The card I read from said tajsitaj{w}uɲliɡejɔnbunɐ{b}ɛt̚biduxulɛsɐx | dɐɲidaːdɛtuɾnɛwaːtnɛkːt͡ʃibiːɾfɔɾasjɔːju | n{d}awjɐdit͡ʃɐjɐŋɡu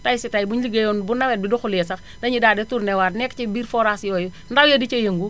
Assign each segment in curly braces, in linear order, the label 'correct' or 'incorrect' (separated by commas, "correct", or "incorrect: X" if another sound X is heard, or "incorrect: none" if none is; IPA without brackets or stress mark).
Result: incorrect: b, incorrect: w, correct